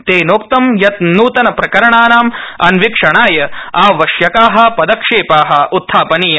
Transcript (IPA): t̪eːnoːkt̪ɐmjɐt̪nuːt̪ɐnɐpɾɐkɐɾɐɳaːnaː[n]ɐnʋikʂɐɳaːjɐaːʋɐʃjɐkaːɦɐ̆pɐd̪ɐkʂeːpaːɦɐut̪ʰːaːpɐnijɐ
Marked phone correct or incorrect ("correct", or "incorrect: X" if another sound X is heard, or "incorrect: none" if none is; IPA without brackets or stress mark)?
incorrect: m